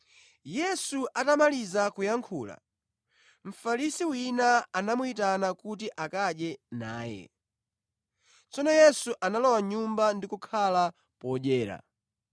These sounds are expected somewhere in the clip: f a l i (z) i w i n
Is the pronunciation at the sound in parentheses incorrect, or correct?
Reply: incorrect